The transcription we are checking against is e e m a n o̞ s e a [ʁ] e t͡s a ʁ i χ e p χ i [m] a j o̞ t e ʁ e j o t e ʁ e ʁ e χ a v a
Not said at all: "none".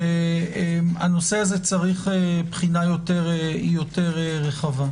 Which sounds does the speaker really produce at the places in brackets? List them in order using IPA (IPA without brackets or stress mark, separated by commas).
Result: z, n